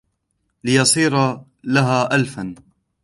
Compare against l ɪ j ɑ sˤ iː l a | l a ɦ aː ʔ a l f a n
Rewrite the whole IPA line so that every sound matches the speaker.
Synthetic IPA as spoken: l ɪ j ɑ sˤ iː ɾ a | l a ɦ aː ʔ a l f a n